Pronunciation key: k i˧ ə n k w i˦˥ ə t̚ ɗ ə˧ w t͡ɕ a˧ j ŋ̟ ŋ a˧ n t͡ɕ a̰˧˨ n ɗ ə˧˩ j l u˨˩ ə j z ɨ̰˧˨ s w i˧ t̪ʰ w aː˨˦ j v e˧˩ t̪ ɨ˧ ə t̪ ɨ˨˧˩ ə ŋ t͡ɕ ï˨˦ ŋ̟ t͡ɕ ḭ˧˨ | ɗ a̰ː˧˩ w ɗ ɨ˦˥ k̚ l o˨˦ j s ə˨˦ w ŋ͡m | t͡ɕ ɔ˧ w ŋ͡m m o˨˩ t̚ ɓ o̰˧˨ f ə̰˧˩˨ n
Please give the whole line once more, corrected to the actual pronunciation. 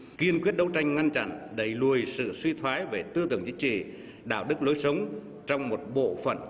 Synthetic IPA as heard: k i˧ ə n k w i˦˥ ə t̚ ɗ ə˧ w t͡ɕ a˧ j ŋ̟ ŋ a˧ n t͡ɕ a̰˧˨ n ɗ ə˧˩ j l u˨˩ ə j s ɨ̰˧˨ s w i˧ t̪ʰ w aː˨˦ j v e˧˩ t̪ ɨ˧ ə t̪ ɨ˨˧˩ ə ŋ t͡ɕ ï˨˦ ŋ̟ t͡ɕ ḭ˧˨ | ɗ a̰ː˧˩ w ɗ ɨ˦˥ k̚ l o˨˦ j s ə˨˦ w ŋ͡m | t͡ɕ ɔ˧ w ŋ͡m m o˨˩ t̚ ɓ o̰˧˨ f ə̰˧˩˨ n